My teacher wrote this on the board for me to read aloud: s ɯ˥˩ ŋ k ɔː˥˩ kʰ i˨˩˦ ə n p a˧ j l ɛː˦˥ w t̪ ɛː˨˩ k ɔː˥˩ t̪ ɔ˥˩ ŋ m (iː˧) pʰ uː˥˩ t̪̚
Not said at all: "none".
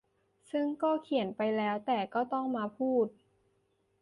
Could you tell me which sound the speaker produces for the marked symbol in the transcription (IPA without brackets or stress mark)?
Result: aː˧